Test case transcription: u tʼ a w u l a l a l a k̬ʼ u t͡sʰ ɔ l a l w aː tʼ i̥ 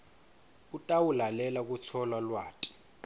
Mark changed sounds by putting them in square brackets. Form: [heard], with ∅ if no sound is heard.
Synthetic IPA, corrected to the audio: u tʼ a w u l a l [ɛ] l a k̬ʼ u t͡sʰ ɔ l a l w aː tʼ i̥

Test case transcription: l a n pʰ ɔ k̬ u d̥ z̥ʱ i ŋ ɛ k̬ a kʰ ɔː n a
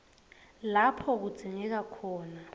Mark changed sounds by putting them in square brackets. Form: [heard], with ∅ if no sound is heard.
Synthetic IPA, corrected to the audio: l a [∅] pʰ ɔ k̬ u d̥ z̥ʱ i ŋ ɛ k̬ a kʰ ɔː n a

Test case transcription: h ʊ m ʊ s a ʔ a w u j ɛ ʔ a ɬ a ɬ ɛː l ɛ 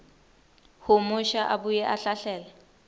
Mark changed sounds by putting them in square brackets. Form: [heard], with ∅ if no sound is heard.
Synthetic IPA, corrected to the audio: h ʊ m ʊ [ʃ] a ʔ a [b] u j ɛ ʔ a ɬ a ɬ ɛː l ɛ

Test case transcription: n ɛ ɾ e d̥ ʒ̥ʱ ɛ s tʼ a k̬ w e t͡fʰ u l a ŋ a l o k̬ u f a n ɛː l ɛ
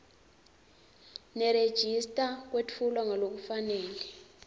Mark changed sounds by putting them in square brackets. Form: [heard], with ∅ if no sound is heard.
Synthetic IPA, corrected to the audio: n ɛ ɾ e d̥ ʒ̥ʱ [i] s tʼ a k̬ w e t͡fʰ u l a ŋ a l o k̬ u f a n ɛː l ɛ

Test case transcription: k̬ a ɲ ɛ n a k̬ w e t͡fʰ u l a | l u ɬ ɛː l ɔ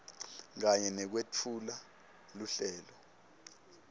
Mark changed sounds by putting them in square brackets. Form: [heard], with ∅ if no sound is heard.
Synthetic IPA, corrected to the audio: k̬ a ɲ ɛ n [ɛ] k̬ w e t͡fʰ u l a | l u ɬ ɛː l ɔ

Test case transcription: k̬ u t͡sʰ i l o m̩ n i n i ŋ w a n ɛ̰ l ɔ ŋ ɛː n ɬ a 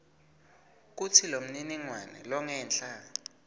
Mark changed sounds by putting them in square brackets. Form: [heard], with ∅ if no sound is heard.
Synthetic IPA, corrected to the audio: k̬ u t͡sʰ i l o m̩ n i n i ŋ w a n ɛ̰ l ɔ ŋ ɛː n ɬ a

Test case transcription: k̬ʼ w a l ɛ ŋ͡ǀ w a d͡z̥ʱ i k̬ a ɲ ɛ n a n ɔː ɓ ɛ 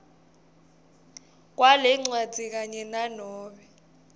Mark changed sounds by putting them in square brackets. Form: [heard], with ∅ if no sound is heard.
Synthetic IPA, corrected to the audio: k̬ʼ w a l ɛ ŋ͡ǀ w a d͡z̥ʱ i k̬ a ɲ ɛ n a n ɔː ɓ ɛ

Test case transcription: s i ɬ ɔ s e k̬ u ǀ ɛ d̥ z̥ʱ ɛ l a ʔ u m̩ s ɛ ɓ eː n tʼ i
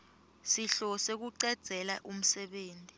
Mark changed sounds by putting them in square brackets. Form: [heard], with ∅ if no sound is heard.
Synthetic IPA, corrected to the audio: s i ɬ ɔ s e k̬ u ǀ ɛ d̥ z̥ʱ ɛ l a ʔ u m̩ s ɛ ɓ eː n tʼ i

